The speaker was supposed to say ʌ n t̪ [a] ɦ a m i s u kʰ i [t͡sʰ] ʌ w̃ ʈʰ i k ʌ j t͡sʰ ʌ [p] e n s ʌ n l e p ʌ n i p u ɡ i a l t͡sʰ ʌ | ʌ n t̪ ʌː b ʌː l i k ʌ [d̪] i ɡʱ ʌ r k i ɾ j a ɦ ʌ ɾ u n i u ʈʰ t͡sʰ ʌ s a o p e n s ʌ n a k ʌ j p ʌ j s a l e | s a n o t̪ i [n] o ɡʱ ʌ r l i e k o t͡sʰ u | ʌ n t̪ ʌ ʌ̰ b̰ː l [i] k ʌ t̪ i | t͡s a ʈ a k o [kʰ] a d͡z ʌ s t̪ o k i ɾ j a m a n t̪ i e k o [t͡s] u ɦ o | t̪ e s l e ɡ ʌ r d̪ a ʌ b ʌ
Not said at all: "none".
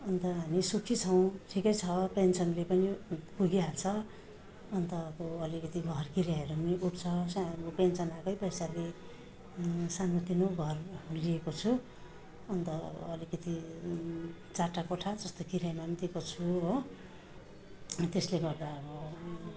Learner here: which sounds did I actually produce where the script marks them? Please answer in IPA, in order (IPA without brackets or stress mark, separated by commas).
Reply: ʌ, t͡sʰ, p, t̪, n, i, ʈʰ, t͡sʰ